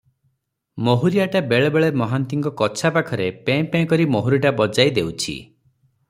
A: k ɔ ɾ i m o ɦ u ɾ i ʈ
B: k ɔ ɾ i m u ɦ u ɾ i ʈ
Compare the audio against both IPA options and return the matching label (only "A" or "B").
A